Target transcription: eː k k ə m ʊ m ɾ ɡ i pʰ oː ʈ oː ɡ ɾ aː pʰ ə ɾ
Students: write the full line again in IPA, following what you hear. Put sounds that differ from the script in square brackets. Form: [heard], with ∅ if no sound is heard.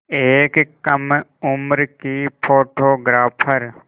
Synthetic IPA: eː k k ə m ʊ m ɾ [k] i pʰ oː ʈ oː ɡ ɾ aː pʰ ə ɾ